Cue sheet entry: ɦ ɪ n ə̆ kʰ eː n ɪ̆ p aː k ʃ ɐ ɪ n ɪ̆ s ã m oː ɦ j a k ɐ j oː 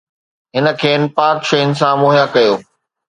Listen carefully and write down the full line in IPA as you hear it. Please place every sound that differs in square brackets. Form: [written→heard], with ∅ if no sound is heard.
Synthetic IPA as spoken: ɦ ɪ n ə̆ kʰ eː n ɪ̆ p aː k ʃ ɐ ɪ n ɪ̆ s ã m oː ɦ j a k ɐ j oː